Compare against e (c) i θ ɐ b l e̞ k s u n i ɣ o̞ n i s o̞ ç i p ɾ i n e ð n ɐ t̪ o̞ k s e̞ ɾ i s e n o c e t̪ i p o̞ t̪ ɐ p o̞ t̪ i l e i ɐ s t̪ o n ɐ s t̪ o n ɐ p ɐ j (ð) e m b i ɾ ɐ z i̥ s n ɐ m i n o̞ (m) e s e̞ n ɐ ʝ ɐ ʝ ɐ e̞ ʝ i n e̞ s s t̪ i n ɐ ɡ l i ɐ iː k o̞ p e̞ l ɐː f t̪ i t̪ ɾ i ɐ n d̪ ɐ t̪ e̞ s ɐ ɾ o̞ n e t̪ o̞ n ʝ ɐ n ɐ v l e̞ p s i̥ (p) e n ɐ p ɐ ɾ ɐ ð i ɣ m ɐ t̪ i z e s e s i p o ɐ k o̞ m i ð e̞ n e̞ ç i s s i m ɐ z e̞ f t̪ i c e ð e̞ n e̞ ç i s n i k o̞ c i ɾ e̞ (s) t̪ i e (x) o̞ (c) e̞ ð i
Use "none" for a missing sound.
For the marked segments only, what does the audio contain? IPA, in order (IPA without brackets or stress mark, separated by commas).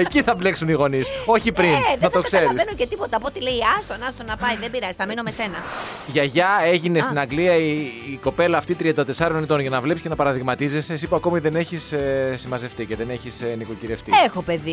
c, ð, m, c, f, x, p